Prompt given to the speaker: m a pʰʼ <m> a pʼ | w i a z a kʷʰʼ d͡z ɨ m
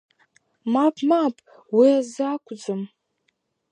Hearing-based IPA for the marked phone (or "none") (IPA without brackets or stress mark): m